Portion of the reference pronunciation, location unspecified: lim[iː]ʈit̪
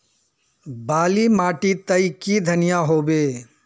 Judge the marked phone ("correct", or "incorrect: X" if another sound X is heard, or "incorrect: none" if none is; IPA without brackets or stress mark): incorrect: aː